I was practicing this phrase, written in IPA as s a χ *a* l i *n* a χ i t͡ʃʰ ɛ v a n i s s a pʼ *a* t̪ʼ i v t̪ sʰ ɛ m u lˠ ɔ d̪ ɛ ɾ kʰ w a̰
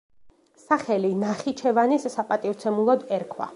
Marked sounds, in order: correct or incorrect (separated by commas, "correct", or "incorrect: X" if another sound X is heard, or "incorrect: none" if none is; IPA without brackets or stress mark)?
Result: incorrect: ɛ, correct, correct